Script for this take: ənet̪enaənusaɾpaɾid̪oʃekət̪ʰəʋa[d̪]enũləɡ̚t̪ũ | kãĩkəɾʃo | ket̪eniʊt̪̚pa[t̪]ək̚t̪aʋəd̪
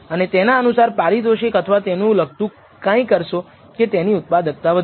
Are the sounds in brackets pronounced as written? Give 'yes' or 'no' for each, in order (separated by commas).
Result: no, no